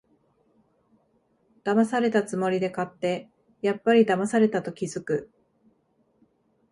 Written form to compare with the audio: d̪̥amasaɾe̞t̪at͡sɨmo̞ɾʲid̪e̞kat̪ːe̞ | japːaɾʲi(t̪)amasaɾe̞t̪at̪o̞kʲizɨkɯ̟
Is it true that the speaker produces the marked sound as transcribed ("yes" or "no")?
no